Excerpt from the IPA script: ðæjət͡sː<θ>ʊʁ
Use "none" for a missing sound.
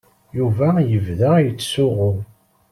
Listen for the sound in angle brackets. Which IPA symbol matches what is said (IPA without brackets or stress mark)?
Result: s